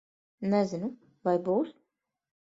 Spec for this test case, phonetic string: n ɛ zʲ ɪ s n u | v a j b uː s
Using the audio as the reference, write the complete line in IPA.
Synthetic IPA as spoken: n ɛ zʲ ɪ n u | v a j b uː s